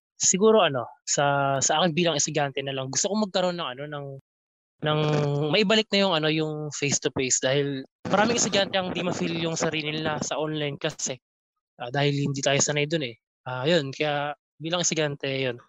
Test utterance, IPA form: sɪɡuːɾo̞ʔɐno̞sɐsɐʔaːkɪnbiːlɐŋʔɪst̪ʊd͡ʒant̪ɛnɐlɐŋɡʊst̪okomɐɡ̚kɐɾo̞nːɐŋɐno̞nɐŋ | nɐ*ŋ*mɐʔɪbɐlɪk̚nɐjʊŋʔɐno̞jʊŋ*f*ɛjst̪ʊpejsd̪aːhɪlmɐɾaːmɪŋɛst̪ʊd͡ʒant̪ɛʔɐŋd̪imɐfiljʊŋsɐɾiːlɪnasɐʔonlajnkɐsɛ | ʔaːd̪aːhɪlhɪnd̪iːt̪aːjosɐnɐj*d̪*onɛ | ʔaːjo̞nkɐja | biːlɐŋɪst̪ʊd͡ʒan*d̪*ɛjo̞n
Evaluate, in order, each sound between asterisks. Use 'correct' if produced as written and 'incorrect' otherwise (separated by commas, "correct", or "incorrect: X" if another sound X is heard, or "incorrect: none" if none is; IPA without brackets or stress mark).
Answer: correct, correct, correct, incorrect: t̪